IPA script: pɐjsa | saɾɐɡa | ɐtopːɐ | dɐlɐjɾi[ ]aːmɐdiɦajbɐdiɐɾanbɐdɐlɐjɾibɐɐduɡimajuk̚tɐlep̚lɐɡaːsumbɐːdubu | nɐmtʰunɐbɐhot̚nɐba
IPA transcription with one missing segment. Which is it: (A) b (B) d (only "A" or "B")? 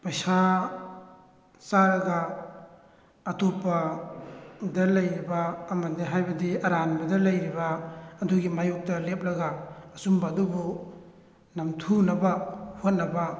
A